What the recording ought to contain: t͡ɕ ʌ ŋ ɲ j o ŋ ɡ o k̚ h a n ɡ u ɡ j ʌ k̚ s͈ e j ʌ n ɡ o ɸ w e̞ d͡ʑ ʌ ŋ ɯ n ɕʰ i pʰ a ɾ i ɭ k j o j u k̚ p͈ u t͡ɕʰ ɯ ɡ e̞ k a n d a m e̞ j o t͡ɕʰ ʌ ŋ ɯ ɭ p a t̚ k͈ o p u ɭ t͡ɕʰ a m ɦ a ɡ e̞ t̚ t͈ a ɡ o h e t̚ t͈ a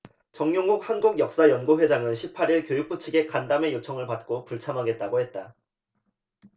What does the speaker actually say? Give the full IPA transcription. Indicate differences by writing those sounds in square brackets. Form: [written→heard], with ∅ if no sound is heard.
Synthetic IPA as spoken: t͡ɕ ʌ ŋ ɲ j o ŋ ɡ [o→u] k̚ h a n ɡ u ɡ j ʌ k̚ s͈ [e→a] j ʌ n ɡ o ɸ w e̞ d͡ʑ [ʌ→a] ŋ ɯ n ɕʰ i pʰ a ɾ i ɭ k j o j u k̚ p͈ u t͡ɕʰ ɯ ɡ e̞ k a n d a m e̞ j o t͡ɕʰ ʌ ŋ ɯ ɭ p a t̚ k͈ o p u ɭ t͡ɕʰ a m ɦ a ɡ e̞ t̚ t͈ a ɡ o h e t̚ t͈ a